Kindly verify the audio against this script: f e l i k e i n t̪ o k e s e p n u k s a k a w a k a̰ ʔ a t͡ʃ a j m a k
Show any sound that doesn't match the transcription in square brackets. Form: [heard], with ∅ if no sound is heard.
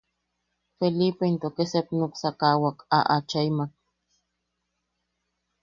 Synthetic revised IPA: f e l i [p] e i n t̪ o k e s e p n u k s a k a w a k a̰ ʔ a t͡ʃ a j m a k